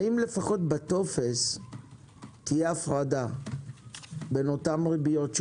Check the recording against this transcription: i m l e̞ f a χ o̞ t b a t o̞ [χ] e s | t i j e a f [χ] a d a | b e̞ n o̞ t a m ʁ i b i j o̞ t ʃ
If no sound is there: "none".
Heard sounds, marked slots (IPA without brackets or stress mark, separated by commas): f, ʁ